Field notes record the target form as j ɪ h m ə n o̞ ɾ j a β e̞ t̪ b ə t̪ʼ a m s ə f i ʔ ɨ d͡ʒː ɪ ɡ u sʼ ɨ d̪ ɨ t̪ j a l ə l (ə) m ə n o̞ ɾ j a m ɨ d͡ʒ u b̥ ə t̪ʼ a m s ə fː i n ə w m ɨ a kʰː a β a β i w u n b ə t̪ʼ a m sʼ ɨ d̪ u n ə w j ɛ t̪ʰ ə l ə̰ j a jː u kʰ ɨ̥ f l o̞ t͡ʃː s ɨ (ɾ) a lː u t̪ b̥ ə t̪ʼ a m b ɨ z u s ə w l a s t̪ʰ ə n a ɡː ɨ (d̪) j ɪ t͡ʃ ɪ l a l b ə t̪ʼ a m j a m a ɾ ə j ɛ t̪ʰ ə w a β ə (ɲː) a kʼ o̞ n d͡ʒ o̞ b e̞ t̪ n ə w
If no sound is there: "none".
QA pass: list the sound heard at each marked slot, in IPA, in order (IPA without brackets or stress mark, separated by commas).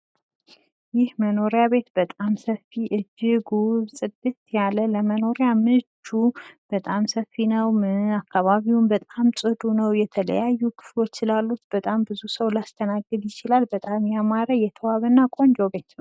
ə, l, d̪, nː